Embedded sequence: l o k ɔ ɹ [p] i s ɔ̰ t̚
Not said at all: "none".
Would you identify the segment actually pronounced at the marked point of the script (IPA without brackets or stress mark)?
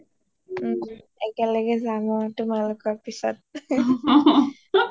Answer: p